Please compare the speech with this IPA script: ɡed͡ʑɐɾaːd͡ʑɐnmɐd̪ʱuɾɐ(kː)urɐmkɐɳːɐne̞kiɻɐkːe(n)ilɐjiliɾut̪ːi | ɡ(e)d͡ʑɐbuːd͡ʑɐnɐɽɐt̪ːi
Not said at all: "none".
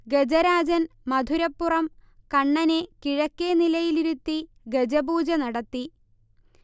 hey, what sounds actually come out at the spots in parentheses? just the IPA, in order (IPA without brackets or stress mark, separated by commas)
pː, n, e